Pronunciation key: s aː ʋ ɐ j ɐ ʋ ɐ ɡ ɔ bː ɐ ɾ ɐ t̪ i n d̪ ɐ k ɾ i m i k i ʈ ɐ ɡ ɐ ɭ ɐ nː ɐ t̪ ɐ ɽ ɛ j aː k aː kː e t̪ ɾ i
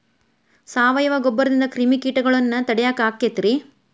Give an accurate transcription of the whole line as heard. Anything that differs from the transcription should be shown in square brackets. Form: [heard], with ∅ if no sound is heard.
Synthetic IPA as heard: s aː ʋ ɐ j ɐ ʋ ɐ ɡ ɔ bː ɐ ɾ ɐ [d̪] i n d̪ ɐ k ɾ i m i k [iː] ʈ ɐ ɡ ɐ ɭ ɐ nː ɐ t̪ ɐ ɽ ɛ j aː k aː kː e t̪ ɾ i